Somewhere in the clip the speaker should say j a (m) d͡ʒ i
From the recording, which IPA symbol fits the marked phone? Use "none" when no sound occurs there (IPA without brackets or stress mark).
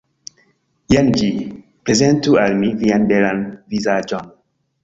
n